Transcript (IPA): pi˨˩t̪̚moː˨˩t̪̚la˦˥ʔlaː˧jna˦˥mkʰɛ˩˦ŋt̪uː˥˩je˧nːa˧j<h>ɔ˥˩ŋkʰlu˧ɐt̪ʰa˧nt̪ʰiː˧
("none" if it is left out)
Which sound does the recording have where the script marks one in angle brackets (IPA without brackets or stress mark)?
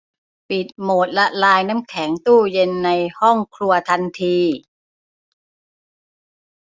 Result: h